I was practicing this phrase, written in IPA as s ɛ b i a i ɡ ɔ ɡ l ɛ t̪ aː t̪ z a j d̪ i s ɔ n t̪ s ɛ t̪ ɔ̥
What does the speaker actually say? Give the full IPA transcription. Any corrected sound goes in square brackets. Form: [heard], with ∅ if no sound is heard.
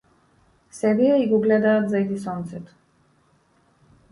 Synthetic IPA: s ɛ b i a i ɡ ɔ ɡ l ɛ [d̪] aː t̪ z a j d̪ i s ɔ n t̪ s ɛ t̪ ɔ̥